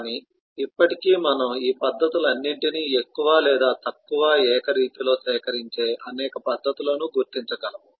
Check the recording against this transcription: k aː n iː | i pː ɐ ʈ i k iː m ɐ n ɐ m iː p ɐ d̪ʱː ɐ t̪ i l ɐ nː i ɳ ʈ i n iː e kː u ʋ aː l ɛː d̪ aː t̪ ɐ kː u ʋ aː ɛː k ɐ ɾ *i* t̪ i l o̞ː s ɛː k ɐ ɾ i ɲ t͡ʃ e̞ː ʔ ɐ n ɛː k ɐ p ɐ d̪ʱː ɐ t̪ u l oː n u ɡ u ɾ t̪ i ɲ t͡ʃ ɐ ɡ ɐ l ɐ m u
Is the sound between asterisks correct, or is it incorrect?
incorrect